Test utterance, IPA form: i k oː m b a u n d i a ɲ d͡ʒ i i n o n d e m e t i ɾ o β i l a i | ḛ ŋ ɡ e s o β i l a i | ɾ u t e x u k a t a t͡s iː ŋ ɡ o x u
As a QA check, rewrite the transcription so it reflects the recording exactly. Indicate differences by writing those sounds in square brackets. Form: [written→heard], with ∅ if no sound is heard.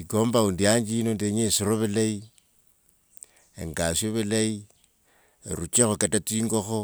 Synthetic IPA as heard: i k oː m b a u n d i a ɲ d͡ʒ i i n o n d e [m→ɲ] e [t→s] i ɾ o β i l a i | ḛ ŋ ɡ [e→a] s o β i l a i | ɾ u [t→t͡ʃ] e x [u→o] k a t a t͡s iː ŋ ɡ o x [u→o]

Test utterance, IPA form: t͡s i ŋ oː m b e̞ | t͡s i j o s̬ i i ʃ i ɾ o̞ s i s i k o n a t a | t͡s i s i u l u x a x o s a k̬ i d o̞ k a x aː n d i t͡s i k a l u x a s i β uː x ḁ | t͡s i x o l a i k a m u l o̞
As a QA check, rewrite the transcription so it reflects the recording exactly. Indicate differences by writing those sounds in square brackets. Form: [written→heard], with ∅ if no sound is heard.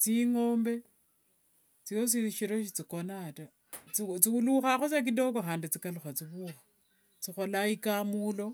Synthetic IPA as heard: t͡s i ŋ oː m b e̞ | t͡s i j o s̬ i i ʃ i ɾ o̞ [s→ʃ] i [s→t͡s] i k o n a t a | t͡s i [s→t͡s] i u l u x a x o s a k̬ i d o̞ k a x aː n d i t͡s i k a l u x a [s→t͡s] i β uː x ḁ | t͡s i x o l a i k a m u l o̞

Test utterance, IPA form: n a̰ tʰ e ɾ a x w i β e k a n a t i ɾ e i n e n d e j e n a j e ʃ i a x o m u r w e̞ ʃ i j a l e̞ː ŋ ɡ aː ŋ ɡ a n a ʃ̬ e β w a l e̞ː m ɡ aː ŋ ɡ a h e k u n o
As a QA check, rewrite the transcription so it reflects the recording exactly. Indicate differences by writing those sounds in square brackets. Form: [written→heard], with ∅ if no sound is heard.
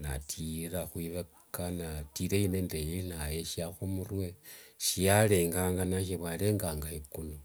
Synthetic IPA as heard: n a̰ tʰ [e→i] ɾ a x w i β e k a n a t i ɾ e i n e n d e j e n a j e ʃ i a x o m u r w e̞ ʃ i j a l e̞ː ŋ ɡ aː ŋ ɡ a n a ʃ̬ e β w a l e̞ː [m→ŋ] ɡ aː ŋ ɡ a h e k u n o

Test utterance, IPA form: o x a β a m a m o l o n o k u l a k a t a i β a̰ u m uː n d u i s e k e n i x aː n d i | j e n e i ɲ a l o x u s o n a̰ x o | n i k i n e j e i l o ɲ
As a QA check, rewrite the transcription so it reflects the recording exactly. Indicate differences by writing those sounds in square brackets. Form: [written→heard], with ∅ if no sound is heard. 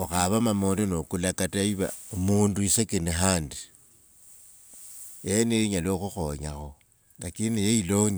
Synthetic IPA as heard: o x a β a m a m o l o n o k u l a k a t a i β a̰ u m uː n d u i s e k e n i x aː n d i | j e n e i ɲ a l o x u [s→x] o [n→ɲ] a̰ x o | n [i→a] k i n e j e i l o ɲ

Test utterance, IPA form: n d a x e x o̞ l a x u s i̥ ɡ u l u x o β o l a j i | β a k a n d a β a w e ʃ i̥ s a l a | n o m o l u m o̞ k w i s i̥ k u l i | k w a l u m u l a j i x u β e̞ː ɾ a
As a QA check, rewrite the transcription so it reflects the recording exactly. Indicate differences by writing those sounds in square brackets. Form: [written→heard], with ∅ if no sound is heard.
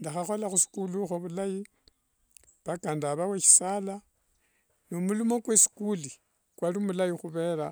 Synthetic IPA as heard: n d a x [e→a] x o̞ l a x u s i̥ [ɡ→k] u l u x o β [o→u] l a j i | β a k a n d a β a w e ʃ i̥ s a l a | n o m [o→u] l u m o̞ k w [i→e] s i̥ k u l i | k w a l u m u l a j i x u β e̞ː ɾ a

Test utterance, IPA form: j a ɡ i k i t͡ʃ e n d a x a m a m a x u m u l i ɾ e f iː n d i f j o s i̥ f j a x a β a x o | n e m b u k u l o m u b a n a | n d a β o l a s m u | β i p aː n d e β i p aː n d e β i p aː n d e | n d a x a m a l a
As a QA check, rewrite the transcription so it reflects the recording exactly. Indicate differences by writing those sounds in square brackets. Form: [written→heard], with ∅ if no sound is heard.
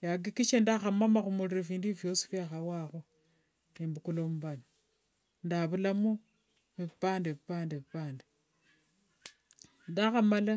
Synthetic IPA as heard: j a ɡ i k i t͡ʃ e n d a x a m a m a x u m u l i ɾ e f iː n d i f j o s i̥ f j a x a [β→w] a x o | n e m b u k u l o m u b a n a | n d a β [o→u] l a [s→∅] m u | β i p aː n d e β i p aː n d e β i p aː n d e | n d a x a m a l a

